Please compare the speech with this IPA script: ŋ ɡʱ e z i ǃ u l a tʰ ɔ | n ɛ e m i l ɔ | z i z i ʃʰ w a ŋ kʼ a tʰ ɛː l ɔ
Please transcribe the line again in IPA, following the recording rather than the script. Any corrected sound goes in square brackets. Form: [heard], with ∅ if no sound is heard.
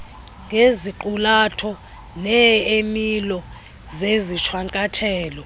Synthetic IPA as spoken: ŋ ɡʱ e z i ǃ u l a tʰ ɔ | n ɛ e m i l ɔ | z [e] z i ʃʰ w a ŋ kʼ a tʰ ɛː l ɔ